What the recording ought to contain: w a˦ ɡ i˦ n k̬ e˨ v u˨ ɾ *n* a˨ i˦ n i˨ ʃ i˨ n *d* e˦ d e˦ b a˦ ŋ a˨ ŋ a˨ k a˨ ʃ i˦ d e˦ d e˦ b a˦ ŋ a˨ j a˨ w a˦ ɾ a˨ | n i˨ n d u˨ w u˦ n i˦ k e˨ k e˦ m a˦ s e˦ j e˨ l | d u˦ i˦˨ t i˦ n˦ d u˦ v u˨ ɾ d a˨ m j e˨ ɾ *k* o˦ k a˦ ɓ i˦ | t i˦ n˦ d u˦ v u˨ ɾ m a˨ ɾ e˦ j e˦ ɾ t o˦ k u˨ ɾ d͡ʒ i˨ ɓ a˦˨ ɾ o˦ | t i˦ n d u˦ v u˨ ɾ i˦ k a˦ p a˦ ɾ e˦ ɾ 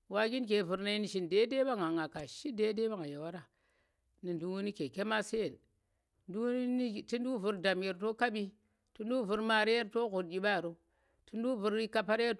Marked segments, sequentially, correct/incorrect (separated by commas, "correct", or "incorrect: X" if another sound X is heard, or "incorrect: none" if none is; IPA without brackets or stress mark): correct, correct, incorrect: t